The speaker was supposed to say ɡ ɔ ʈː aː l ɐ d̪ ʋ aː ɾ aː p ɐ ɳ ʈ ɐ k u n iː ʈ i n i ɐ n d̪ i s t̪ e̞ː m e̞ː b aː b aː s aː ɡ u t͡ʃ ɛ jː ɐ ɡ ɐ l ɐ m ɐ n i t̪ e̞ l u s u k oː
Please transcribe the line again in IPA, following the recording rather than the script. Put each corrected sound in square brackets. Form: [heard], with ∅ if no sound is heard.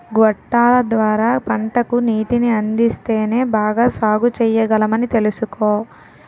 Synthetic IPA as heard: ɡ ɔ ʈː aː l ɐ d̪ ʋ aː ɾ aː p ɐ ɳ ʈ ɐ k u n iː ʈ i n i ɐ n d̪ i s t̪ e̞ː [n] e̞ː b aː [ɡ] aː s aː ɡ u t͡ʃ ɛ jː ɐ ɡ ɐ l ɐ m ɐ n i t̪ e̞ l u s u k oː